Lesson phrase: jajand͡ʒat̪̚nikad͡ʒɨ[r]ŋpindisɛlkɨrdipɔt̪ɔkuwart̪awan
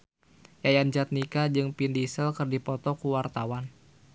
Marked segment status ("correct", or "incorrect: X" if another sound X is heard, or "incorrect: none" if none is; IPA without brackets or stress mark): incorrect: none